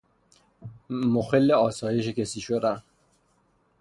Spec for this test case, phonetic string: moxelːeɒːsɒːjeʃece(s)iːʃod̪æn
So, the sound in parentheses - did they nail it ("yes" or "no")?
yes